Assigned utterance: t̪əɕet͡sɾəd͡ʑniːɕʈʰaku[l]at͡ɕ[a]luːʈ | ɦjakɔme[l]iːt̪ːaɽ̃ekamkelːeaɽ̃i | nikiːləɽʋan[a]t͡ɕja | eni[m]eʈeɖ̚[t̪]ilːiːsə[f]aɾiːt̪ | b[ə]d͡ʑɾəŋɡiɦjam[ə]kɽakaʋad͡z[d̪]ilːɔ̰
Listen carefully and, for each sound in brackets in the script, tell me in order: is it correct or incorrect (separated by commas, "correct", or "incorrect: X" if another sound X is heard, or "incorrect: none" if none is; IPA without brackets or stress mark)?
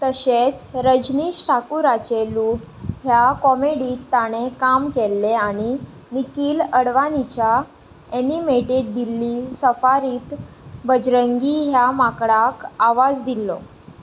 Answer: incorrect: ɾ, incorrect: e, incorrect: ɽ, incorrect: i, correct, incorrect: d̪, correct, correct, incorrect: a, correct